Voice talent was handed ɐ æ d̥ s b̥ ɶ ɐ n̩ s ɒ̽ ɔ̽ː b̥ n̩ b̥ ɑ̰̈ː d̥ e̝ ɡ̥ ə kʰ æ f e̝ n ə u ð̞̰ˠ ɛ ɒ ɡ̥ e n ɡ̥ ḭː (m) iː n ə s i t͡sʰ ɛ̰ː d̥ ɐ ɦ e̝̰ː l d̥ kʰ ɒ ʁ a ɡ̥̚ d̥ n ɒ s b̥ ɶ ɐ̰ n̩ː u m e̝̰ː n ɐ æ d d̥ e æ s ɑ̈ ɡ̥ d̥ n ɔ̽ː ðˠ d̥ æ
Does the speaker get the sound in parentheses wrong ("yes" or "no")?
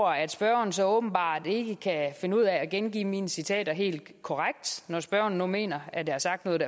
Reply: no